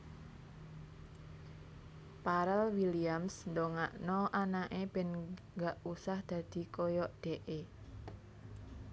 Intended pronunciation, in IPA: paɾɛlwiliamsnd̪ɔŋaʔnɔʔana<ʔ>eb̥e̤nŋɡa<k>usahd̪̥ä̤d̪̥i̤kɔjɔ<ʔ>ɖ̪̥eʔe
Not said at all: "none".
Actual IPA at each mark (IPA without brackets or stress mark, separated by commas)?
ʔ, ʔ, ʔ